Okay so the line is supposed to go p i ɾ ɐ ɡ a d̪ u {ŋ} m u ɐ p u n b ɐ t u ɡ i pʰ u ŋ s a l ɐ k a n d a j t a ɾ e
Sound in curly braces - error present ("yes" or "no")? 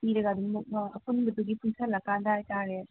no